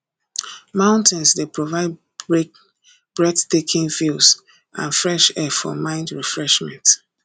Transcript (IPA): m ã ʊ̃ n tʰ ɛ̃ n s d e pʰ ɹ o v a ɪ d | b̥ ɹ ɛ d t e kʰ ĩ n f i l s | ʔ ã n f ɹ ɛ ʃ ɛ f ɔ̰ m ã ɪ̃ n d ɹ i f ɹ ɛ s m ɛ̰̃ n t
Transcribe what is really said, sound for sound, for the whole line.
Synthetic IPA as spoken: m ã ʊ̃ n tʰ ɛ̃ n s d e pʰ ɹ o v a ɪ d | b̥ ɹ ɛ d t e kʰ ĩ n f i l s | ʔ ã n f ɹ ɛ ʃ ɛ f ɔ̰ m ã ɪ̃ n d ɹ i f ɹ ɛ ʃ m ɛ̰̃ n t